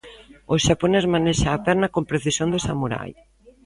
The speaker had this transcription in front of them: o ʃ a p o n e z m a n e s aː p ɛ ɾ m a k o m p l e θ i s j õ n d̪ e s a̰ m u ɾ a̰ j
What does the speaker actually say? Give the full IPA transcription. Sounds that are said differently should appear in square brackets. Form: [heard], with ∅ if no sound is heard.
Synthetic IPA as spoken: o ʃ a p o n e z m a n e [ʃ] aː p ɛ ɾ [n] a k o m p [ɾ] e θ i s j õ n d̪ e s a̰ m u ɾ a̰ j